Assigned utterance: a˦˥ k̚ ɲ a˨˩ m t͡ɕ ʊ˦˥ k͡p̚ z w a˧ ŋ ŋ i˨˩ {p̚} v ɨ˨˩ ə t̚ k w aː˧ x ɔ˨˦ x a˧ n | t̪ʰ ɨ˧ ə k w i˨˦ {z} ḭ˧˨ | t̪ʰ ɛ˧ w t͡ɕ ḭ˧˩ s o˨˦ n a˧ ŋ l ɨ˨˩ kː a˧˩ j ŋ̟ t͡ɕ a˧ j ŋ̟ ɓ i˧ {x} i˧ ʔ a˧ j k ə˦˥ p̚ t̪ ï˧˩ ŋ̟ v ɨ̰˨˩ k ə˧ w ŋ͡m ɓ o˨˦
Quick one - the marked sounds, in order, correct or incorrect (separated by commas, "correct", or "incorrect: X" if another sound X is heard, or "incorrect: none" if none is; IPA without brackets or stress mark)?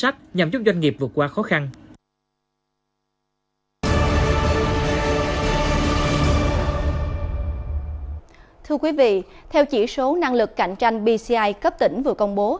correct, incorrect: v, incorrect: s